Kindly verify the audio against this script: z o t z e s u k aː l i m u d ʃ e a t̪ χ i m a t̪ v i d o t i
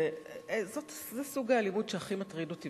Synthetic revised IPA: z o t z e s u ɡ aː l i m u d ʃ e a χ i m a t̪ ʁ i d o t i

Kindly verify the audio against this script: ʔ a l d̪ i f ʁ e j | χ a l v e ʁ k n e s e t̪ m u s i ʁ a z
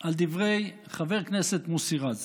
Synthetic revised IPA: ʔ a l d̪ i v ʁ e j | χ a v e ʁ k n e s e t̪ m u s i ʁ a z

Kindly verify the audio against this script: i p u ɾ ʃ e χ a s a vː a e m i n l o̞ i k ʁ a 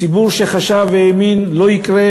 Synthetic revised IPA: i b u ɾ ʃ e χ a ʃ a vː e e m i n l o̞ i k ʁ e

